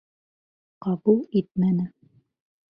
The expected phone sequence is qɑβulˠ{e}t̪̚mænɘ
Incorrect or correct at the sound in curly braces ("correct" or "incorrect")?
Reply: incorrect